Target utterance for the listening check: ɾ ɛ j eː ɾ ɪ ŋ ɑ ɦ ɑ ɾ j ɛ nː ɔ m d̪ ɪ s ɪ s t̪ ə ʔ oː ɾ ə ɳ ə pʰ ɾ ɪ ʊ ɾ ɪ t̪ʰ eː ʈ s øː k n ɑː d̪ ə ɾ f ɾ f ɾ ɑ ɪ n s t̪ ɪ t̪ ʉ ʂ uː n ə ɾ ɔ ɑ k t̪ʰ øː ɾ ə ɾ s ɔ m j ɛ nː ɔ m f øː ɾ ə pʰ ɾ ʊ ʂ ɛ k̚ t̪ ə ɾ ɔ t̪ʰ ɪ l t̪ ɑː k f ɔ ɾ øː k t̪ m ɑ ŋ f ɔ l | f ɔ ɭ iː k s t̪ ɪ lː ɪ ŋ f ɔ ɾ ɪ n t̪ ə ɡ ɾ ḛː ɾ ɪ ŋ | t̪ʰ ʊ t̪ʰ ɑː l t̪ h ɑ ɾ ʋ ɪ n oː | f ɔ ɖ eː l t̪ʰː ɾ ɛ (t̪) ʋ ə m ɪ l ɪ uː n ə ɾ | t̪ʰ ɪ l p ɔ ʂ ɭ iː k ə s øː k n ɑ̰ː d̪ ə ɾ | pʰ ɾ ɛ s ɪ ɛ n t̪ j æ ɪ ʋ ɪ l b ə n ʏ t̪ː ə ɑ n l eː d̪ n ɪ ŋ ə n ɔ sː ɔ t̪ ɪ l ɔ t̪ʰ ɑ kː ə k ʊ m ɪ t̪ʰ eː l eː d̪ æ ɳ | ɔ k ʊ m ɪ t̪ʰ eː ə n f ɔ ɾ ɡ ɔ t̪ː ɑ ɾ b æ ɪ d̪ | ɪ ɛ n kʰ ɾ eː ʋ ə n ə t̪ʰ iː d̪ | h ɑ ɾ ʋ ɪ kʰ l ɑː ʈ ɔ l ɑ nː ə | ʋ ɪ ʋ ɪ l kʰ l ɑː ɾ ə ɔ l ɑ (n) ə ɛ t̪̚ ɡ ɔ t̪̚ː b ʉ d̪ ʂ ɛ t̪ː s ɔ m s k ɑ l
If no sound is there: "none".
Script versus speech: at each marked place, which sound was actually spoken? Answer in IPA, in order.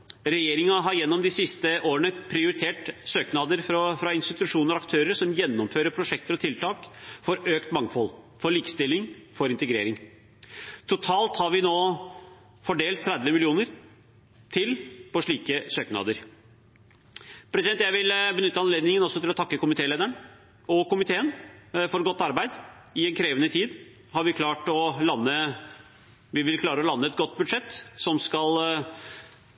d̪, nː

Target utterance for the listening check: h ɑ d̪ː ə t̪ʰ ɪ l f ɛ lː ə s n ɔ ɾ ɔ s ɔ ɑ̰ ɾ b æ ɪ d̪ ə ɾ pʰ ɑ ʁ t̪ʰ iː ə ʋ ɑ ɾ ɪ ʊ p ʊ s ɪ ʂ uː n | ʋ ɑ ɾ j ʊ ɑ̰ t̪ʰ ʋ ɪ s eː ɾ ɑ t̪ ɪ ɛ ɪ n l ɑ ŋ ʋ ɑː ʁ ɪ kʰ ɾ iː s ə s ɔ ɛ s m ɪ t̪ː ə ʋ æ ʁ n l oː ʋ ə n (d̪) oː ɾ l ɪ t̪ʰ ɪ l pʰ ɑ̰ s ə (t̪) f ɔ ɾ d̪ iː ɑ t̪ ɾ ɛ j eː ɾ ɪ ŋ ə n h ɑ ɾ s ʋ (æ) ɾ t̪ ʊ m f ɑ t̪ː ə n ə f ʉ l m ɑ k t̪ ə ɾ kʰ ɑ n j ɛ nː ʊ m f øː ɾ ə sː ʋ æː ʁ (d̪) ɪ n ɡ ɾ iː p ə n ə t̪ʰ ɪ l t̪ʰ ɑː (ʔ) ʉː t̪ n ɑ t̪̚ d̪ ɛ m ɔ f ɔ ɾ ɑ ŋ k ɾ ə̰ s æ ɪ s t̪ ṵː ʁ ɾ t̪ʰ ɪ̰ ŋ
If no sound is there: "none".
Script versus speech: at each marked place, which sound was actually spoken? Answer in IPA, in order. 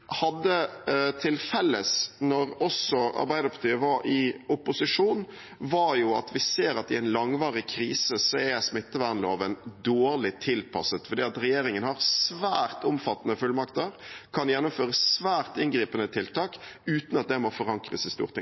d̪, t̪, æː, t̪, k

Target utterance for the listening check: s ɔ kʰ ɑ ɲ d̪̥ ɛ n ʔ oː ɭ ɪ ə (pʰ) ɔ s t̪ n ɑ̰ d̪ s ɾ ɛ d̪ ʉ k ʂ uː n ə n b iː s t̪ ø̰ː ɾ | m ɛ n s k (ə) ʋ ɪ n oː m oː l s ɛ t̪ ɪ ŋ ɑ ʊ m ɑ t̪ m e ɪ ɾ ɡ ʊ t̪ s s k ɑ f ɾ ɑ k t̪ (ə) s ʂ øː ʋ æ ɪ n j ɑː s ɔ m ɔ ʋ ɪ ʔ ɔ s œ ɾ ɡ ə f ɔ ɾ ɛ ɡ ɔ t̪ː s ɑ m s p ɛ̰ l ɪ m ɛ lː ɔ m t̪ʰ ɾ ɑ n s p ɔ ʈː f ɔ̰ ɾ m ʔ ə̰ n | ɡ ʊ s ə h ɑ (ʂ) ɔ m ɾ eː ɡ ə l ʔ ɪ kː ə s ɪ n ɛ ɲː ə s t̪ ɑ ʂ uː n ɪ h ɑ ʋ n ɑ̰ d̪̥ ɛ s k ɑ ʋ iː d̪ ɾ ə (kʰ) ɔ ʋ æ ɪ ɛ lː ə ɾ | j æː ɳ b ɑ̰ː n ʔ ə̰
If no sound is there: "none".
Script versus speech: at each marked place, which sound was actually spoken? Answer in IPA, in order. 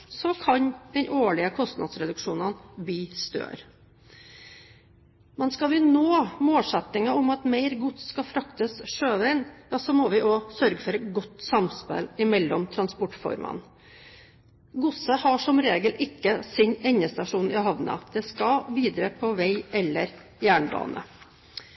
kʰ, ɑ, ə, ʂ, pʰ

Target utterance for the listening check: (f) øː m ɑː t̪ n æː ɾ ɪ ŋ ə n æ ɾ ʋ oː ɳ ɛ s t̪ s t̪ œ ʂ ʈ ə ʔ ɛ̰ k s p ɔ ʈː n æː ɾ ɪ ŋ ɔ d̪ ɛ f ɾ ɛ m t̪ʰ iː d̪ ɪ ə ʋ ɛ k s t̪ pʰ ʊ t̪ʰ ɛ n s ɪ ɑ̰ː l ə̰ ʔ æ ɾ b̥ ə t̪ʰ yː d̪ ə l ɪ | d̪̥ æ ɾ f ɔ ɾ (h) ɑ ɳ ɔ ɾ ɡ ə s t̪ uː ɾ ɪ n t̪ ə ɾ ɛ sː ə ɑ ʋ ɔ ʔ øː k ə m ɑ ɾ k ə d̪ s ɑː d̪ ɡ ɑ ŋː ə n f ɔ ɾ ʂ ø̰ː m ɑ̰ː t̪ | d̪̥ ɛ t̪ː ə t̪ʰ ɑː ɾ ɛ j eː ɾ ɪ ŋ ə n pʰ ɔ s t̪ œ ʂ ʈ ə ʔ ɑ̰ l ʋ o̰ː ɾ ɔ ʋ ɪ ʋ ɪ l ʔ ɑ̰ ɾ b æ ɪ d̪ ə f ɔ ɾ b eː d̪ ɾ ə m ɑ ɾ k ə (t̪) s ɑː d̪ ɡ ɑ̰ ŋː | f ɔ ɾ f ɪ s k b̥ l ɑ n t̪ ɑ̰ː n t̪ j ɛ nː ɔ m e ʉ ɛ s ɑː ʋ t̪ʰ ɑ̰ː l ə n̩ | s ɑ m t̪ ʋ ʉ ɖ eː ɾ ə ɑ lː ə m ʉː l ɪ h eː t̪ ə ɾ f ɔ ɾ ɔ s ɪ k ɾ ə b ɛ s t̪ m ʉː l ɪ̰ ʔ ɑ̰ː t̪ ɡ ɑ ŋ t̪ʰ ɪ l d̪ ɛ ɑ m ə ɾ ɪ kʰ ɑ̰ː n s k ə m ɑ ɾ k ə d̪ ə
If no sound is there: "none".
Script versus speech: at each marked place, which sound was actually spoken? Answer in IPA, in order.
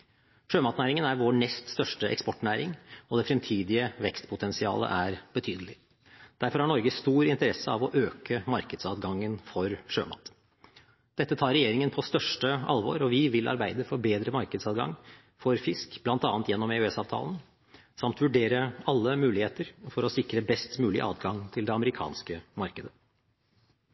ʂ, h, d̪

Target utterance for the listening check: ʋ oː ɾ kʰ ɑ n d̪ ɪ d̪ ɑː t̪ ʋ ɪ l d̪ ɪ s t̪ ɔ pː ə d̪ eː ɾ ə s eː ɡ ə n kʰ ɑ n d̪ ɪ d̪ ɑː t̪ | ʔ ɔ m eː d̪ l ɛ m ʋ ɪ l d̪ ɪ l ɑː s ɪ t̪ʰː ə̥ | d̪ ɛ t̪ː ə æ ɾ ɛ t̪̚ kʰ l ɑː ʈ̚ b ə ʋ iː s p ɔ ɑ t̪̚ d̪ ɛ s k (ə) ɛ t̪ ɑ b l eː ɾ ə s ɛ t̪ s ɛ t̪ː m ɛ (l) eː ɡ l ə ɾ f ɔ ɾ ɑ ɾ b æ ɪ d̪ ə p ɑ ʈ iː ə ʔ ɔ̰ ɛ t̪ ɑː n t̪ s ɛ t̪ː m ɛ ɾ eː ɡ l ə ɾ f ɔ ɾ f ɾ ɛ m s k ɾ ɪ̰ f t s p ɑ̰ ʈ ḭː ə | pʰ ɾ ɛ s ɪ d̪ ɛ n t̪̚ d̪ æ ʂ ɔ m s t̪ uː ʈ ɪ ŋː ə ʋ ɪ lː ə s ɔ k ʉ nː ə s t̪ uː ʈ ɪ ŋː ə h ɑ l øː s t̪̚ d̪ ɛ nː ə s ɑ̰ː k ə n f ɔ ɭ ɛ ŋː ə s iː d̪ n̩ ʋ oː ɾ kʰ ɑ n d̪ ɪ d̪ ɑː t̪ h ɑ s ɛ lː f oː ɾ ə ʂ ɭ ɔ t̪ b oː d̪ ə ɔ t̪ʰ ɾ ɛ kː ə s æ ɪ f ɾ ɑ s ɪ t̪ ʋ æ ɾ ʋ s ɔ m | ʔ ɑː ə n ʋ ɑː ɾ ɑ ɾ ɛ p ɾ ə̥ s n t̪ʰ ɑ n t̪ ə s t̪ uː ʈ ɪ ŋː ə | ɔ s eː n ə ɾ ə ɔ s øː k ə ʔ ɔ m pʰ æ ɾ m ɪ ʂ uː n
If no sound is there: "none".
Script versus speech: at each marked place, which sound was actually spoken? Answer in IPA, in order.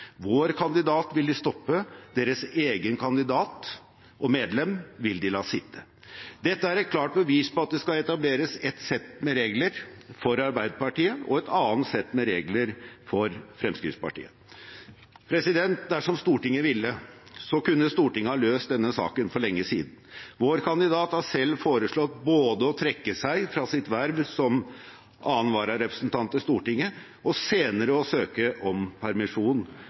ɑ, ɾ

